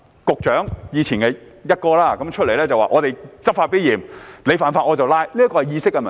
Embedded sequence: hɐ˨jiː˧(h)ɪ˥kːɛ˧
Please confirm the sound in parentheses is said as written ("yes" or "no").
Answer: no